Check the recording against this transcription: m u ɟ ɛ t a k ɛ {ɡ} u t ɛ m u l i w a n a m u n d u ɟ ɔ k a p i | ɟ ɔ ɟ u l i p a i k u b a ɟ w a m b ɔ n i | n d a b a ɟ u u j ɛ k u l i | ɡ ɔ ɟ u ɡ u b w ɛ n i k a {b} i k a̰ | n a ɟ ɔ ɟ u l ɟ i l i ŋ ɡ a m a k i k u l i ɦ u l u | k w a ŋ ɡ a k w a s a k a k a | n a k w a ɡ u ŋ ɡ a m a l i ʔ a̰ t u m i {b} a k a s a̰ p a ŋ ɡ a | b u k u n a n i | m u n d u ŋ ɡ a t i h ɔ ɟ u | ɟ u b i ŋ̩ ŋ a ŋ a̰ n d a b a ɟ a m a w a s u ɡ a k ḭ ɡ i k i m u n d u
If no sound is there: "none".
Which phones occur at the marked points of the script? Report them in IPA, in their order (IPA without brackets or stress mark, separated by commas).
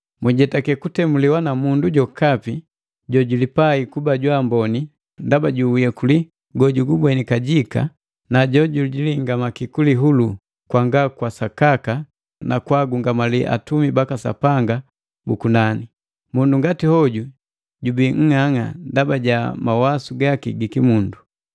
k, ɟ, b